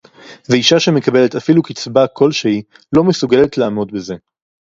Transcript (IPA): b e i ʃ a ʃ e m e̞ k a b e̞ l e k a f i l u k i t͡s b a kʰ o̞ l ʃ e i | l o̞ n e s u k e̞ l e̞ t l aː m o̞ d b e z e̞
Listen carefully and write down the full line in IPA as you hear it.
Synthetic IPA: v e i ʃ a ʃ e m e̞ k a b e̞ l e t a f i l u k i t͡s b a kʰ o̞ l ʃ e i | l o̞ m e s u ɡ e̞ l e̞ t l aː m o̞ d b e z e̞